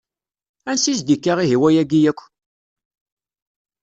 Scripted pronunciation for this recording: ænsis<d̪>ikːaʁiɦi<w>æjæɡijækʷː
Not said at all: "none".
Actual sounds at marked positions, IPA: d̪, w

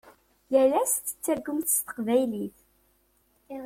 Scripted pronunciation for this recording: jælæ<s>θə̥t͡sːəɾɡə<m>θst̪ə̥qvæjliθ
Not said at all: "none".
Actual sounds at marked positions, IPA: s, m

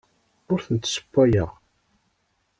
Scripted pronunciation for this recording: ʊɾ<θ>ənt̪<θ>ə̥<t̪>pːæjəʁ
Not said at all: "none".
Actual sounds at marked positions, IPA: θ, s, none

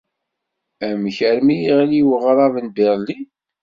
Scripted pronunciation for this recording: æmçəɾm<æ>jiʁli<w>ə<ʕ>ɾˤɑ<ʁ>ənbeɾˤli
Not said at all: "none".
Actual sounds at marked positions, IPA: i, w, ʁ, v

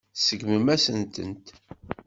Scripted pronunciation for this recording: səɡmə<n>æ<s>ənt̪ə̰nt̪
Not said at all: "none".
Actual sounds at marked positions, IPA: m, s

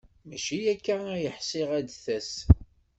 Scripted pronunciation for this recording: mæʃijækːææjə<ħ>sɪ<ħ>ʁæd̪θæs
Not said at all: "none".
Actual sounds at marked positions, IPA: ħ, none

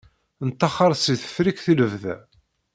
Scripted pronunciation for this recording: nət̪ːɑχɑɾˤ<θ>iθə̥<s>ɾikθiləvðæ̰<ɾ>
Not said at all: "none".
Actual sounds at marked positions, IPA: s, f, none

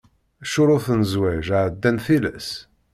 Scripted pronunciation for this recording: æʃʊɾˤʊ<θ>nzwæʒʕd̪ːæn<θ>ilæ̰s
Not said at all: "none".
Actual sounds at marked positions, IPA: θ, θ

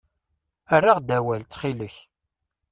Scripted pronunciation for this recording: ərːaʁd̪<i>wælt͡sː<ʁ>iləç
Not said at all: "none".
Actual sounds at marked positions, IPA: æ, χ

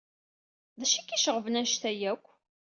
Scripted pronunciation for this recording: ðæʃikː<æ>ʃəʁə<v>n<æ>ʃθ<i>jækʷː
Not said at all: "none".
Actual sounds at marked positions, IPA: i, v, æ, æ

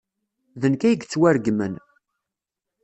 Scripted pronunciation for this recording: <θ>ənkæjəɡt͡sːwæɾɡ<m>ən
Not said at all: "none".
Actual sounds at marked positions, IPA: ð, m

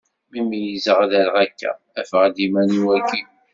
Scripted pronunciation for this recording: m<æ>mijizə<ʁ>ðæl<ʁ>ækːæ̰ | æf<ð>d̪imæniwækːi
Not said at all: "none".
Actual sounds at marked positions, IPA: i, ʁ, ʁ, ʁ

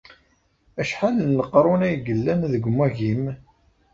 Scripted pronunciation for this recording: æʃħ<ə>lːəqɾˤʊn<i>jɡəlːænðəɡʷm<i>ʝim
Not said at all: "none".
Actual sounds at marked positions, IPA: a, æ, æ

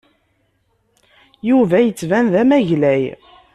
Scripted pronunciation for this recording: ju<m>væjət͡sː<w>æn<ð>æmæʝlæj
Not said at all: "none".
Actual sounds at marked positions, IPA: none, v, ð

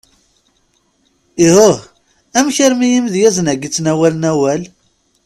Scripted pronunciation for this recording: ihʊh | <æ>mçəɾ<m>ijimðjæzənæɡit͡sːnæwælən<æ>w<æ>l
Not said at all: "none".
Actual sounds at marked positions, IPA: æ, m, æ, æ

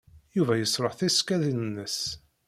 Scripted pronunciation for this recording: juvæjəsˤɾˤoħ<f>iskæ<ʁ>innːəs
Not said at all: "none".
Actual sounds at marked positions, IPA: θ, ð

